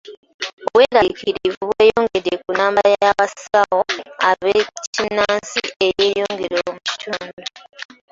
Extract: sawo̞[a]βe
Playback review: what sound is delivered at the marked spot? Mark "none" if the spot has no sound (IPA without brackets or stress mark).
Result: a